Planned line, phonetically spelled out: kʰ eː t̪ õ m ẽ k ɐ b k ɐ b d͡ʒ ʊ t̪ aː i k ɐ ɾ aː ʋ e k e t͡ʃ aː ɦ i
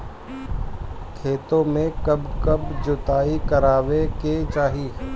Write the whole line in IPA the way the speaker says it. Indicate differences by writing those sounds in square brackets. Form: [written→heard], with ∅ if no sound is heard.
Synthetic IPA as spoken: kʰ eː t̪ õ m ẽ k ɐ b k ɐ b d͡ʒ ʊ t̪ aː i k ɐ ɾ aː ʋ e k e t͡ʃ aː ɦ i